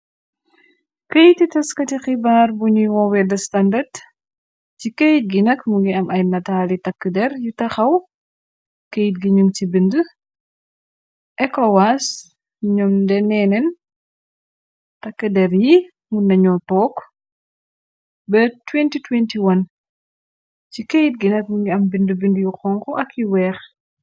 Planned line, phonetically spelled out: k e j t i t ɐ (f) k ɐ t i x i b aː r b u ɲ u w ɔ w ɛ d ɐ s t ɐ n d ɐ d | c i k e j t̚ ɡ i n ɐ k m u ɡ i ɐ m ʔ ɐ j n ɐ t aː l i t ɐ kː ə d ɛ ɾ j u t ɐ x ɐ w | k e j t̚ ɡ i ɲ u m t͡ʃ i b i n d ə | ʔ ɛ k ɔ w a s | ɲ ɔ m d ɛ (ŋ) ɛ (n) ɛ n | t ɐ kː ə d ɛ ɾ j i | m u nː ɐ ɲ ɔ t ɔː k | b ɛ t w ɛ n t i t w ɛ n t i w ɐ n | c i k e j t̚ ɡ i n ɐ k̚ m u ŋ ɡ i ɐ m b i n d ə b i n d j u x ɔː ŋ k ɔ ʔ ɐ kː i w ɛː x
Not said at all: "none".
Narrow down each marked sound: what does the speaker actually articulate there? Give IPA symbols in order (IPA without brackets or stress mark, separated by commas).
s, n, n